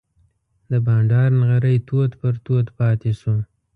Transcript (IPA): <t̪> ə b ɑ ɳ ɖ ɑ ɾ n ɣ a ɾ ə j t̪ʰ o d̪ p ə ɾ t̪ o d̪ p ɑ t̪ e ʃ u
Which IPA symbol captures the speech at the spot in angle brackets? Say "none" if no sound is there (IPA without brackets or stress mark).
d̪